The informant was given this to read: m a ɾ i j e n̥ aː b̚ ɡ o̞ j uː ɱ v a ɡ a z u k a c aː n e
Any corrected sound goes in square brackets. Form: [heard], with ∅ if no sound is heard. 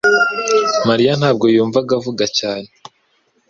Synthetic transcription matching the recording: m a ɾ i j [a] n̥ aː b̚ ɡ o̞ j uː ɱ v a ɡ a [v] u [ɡ] a c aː n e